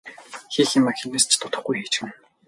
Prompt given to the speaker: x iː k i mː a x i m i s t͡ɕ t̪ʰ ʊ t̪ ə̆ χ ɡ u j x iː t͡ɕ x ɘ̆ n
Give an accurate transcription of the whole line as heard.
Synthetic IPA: x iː x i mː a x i n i s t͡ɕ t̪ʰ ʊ t̪ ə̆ χ ɡ u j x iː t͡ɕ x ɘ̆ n